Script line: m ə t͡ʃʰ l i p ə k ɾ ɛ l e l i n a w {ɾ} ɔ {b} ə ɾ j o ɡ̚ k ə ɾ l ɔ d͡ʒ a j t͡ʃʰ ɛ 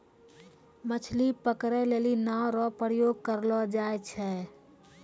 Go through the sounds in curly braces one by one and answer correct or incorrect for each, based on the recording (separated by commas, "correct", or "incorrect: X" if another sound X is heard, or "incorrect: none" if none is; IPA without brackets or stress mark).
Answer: correct, incorrect: p